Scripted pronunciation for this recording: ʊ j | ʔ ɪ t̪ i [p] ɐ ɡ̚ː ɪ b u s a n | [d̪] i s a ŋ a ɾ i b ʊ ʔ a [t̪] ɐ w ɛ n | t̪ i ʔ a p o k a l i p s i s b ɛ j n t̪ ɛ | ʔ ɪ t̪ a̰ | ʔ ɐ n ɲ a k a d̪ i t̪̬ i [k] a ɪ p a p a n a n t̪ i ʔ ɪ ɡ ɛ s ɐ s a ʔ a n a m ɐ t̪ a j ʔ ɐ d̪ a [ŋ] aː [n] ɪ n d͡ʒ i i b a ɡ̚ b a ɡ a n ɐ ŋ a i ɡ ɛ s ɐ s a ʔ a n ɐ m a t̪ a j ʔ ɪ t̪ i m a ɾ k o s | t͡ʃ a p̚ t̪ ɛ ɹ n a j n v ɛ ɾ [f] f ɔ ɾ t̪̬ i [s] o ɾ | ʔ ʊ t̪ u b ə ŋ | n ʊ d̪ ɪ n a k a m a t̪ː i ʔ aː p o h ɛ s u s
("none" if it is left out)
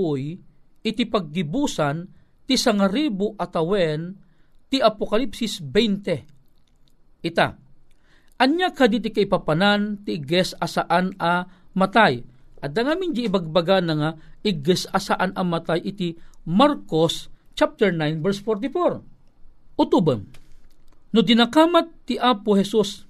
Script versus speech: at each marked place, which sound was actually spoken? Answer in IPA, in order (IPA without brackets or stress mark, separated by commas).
p, t̪, t̪, k, ŋ, m, s, f